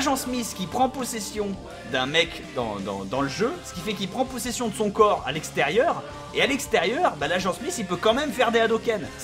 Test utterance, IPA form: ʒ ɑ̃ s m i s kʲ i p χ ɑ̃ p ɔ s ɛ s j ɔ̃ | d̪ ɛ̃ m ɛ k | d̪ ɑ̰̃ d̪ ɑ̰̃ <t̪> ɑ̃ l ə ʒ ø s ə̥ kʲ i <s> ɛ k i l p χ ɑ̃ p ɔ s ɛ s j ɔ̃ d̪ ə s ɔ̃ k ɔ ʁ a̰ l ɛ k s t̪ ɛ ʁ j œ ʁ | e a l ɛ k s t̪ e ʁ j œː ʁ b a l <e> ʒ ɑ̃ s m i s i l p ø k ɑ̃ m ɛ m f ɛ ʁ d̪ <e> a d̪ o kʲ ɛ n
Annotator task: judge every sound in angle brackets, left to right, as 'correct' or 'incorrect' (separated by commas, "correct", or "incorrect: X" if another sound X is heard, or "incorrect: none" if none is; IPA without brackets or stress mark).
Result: incorrect: d̪, incorrect: f, incorrect: a, correct